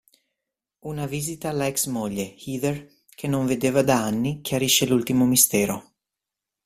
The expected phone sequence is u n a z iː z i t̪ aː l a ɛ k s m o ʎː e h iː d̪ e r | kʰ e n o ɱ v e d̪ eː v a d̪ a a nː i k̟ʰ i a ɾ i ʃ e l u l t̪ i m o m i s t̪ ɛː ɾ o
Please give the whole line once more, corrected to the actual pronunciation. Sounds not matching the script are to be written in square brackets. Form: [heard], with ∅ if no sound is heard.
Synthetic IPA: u n a [v] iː z i t̪ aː l a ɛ k s m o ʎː e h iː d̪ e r | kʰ e n o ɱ v e d̪ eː v a d̪ a a nː i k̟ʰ [j] a ɾ i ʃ e l u l t̪ i m o m i s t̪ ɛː ɾ o